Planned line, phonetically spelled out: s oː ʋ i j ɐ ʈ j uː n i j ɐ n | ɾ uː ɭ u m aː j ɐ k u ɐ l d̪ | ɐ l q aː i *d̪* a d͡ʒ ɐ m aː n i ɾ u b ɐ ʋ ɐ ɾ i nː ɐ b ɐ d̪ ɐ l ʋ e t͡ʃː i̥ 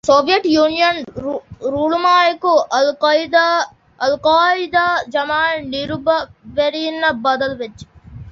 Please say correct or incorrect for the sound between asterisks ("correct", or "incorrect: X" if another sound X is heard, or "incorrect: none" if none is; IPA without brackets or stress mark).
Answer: correct